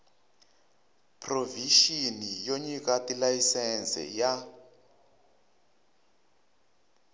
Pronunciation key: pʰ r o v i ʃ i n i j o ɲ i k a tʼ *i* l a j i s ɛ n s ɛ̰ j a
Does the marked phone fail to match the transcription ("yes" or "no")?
no